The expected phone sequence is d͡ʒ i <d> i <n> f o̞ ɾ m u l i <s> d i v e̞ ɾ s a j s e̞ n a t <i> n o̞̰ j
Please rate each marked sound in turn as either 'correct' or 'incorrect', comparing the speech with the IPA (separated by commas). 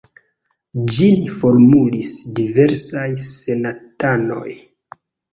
incorrect, incorrect, correct, incorrect